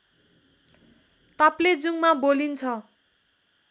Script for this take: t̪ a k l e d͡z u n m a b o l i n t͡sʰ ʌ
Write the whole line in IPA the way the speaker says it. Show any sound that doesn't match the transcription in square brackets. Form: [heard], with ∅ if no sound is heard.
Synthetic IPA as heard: t̪ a [p] l e d͡z u [ŋ] m a b o l i n t͡sʰ ʌ